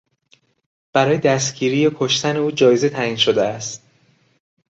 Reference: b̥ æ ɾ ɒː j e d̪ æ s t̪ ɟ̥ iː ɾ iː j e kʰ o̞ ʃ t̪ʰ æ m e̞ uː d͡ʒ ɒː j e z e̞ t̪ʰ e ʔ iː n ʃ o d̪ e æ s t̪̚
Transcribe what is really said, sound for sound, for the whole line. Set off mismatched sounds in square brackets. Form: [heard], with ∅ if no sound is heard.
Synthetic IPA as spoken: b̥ æ ɾ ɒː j e d̪ æ s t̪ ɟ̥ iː ɾ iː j e kʰ o̞ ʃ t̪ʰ æ [n] e̞ uː d͡ʒ ɒː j e z e̞ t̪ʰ [æ] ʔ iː n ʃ o d̪ e æ s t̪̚